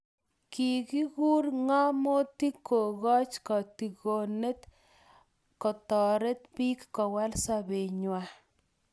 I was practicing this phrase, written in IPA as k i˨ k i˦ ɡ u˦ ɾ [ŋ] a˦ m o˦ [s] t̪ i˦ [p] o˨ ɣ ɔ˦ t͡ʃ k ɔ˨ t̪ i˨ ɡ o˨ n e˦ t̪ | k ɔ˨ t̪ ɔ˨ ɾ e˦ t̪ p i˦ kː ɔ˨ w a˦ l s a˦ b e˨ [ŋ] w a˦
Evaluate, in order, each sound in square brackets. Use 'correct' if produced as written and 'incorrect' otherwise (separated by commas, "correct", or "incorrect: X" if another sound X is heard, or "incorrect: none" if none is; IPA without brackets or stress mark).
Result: correct, incorrect: none, incorrect: k, incorrect: ɲ